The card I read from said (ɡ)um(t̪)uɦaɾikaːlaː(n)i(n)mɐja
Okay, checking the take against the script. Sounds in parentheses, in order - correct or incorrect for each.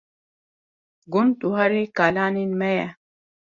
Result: correct, correct, correct, correct

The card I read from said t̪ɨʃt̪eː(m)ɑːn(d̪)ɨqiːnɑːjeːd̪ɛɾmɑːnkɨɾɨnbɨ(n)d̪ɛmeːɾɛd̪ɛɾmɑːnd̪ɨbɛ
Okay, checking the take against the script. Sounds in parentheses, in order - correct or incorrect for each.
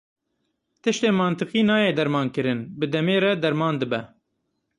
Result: correct, incorrect: t̪, incorrect: none

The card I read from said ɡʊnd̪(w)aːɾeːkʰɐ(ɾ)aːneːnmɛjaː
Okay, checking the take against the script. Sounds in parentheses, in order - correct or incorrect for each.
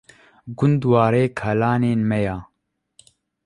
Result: correct, incorrect: l

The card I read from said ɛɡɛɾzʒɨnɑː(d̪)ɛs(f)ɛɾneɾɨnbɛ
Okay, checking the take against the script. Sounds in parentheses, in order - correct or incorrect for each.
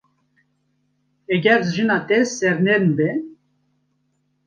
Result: incorrect: t̪, incorrect: s

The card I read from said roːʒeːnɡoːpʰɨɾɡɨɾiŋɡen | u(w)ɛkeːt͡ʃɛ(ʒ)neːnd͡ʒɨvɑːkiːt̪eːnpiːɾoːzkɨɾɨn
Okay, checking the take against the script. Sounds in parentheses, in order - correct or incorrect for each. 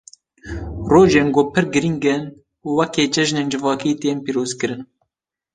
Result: correct, correct

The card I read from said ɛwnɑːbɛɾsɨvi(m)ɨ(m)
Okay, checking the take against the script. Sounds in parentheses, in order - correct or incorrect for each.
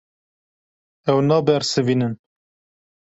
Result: incorrect: n, incorrect: n

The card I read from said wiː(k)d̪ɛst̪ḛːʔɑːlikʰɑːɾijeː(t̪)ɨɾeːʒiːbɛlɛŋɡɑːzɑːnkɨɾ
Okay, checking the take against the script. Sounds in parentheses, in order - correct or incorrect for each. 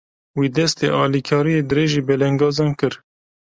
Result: incorrect: none, incorrect: d̪

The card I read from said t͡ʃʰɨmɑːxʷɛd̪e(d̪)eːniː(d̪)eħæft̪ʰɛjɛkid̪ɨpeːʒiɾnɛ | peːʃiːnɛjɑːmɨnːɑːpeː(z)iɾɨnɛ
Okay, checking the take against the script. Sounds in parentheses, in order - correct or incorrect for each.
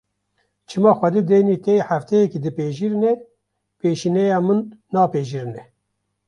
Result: correct, incorrect: t̪, incorrect: ʒ

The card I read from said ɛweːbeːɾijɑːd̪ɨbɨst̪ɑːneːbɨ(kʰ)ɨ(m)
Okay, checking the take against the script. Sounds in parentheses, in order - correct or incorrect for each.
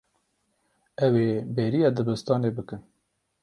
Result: incorrect: k, incorrect: n

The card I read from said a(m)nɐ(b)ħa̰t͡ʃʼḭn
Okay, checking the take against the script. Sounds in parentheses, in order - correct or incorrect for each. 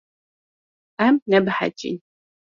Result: correct, correct

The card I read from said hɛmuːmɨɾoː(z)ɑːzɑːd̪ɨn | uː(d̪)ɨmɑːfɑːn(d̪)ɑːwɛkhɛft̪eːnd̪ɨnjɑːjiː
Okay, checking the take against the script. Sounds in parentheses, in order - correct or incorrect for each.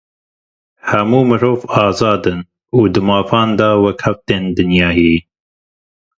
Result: incorrect: v, correct, correct

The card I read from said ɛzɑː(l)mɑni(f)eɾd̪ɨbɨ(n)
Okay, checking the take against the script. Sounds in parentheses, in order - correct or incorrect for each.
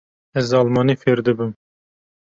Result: correct, correct, incorrect: m

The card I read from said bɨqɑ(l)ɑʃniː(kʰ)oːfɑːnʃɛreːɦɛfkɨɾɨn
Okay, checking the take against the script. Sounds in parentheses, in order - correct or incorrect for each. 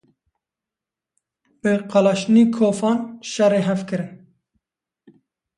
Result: correct, correct

